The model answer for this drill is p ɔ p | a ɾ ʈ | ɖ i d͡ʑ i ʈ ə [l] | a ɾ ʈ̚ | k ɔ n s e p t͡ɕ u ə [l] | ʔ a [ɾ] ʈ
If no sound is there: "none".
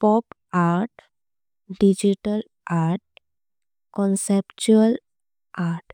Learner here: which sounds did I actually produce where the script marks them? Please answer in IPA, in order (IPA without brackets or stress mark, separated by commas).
l, l, ɾ